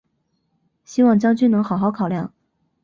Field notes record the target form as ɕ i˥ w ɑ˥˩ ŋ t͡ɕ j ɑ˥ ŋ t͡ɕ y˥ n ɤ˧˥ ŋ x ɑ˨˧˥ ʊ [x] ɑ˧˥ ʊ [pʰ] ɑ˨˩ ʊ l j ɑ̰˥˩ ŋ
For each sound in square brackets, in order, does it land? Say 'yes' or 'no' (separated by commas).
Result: yes, no